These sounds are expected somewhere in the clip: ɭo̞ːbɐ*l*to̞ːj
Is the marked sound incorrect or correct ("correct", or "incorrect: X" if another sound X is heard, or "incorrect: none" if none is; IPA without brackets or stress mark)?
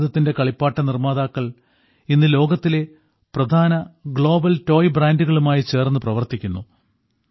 correct